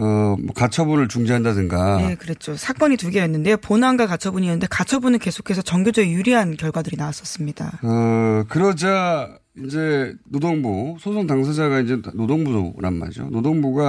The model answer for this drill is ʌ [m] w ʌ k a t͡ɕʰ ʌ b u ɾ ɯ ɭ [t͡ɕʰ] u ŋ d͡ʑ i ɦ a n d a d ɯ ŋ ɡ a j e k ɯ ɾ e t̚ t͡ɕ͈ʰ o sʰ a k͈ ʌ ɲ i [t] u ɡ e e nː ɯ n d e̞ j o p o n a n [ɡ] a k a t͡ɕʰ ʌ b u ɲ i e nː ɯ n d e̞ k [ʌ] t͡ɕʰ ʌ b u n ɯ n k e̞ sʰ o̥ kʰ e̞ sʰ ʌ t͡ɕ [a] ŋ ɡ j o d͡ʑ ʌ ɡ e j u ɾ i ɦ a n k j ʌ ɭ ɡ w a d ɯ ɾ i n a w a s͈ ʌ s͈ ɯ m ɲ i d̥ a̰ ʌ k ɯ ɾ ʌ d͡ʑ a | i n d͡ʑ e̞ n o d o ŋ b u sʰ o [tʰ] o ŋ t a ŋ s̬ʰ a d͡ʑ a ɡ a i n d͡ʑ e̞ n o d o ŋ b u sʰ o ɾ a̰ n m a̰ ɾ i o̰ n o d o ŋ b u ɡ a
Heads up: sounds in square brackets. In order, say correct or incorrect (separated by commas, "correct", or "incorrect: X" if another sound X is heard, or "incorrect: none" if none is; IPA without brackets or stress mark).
correct, incorrect: t͡ɕ, correct, correct, incorrect: a, incorrect: ʌ, incorrect: sʰ